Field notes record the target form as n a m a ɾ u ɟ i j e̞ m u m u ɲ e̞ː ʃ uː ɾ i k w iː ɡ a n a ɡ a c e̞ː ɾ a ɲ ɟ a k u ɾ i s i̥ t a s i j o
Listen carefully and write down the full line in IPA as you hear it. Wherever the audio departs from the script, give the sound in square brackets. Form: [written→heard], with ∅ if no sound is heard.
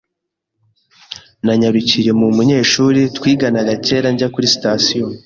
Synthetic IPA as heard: n a [m→ɲ] a ɾ u [ɟ→c] i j e̞ m u m u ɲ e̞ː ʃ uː ɾ i [k→t] w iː ɡ a n a ɡ a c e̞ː ɾ a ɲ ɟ a k u ɾ i s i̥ t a s i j o